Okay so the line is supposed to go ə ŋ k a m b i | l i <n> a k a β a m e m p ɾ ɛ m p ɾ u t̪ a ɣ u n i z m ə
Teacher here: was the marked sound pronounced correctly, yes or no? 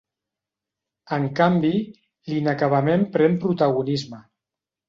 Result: yes